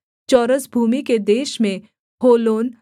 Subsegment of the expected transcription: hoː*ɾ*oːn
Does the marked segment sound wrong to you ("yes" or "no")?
yes